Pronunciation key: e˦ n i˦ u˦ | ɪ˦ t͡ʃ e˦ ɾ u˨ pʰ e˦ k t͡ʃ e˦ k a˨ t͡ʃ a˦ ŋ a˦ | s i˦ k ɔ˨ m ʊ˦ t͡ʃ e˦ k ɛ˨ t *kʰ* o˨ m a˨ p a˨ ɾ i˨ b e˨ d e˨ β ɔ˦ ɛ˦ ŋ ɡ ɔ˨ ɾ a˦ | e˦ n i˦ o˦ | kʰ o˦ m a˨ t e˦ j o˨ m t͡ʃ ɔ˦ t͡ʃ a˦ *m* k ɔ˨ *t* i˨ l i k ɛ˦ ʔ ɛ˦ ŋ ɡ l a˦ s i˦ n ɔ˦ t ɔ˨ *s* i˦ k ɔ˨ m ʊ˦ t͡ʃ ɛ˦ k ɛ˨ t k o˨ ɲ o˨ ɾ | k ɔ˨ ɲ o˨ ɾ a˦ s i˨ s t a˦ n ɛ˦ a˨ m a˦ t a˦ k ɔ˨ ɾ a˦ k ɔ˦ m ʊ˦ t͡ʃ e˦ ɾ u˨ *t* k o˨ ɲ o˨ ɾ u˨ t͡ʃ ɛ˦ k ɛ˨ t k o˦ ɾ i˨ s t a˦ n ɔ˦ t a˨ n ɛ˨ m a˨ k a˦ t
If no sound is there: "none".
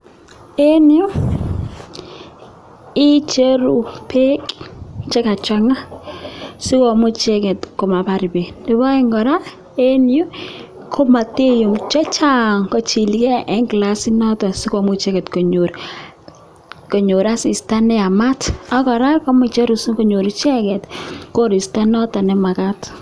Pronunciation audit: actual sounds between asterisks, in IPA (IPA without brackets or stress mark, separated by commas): k, ŋ, t͡ʃ, s, s